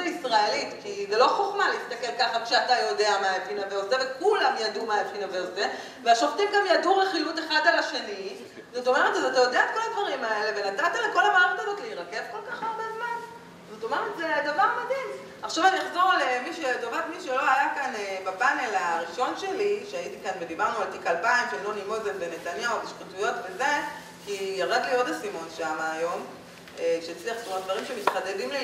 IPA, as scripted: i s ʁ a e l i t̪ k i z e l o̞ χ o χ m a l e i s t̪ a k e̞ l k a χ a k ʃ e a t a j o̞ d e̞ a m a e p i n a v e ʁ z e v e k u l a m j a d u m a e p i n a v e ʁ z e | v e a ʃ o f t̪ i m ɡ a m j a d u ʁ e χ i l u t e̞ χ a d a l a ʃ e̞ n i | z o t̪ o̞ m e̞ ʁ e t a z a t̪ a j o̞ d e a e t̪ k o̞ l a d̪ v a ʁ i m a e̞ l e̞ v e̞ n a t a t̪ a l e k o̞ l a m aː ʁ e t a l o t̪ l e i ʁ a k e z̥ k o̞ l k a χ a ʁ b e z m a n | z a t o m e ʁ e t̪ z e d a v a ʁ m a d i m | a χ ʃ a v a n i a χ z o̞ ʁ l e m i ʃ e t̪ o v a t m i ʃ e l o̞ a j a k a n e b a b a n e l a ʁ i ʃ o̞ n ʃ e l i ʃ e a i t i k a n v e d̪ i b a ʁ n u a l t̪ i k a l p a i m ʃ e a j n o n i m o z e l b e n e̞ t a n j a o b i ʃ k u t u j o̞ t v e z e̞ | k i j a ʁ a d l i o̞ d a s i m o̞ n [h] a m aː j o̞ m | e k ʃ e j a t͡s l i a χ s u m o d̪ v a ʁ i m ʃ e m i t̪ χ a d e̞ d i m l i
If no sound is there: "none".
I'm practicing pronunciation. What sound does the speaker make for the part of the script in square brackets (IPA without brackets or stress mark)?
ʃ